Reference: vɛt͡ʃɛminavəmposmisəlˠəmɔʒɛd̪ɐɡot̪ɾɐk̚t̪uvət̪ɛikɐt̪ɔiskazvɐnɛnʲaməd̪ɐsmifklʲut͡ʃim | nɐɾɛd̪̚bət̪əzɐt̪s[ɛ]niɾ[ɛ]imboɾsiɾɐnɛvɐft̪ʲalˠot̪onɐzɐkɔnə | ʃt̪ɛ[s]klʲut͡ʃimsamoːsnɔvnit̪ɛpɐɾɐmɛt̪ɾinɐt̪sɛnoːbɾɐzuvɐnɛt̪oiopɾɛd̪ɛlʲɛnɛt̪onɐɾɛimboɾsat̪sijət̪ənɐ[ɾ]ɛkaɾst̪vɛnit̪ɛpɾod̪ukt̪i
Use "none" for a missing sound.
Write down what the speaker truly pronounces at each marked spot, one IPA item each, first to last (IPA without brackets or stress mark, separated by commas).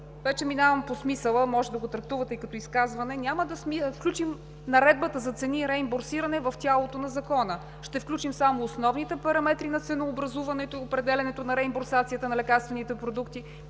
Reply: ɛ, ɛ, f, l